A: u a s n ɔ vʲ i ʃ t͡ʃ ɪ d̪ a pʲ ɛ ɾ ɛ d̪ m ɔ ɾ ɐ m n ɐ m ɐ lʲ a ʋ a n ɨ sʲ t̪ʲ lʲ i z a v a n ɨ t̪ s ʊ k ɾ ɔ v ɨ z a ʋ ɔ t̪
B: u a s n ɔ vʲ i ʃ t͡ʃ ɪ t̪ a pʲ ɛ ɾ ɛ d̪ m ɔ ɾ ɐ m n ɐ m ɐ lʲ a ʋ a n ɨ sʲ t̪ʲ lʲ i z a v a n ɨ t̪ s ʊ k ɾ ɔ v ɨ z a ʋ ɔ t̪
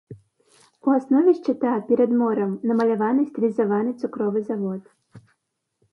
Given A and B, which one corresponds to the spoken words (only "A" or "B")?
B